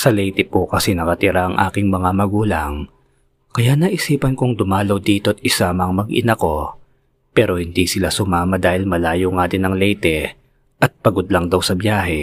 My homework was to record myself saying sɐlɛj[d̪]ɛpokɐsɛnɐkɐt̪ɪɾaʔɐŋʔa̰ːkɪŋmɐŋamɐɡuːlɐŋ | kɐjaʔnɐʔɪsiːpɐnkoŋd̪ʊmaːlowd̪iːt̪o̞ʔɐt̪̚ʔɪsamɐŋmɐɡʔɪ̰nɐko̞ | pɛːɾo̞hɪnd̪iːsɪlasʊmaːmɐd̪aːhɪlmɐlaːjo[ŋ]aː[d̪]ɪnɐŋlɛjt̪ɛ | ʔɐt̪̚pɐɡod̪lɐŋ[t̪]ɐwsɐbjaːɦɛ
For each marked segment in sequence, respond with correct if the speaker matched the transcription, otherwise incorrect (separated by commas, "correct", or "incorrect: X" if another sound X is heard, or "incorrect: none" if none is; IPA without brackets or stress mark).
incorrect: t̪, correct, correct, incorrect: d̪